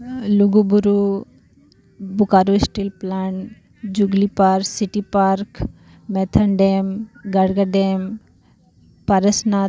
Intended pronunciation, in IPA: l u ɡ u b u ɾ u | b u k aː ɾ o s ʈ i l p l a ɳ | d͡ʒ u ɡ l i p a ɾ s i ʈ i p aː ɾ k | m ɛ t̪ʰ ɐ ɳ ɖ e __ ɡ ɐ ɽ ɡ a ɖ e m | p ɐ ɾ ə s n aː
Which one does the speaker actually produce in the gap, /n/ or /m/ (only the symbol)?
m